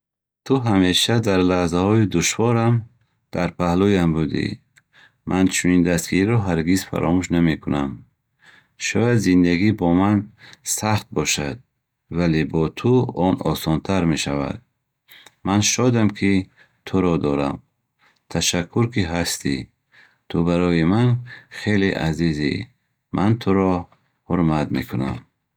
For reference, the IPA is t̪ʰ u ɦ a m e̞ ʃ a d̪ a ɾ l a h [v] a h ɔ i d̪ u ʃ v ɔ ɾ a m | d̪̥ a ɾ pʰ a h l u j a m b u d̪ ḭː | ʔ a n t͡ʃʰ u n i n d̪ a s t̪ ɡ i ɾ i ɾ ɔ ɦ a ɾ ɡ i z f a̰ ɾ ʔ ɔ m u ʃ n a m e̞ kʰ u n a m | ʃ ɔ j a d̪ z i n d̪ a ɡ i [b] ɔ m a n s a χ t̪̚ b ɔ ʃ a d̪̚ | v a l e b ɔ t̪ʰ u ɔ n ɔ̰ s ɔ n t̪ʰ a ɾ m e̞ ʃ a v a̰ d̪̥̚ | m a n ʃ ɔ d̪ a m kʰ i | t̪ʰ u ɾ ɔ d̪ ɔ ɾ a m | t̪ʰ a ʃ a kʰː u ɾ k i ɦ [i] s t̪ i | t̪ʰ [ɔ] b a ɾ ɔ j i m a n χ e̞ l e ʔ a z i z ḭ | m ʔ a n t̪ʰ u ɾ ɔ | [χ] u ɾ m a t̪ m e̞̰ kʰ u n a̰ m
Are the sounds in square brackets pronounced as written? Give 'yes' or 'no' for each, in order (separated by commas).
no, yes, no, no, no